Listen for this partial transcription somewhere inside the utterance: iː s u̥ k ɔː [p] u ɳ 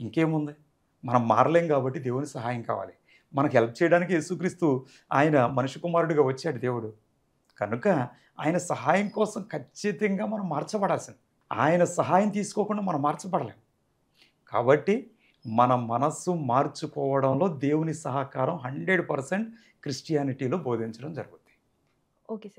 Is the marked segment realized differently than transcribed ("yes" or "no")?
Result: yes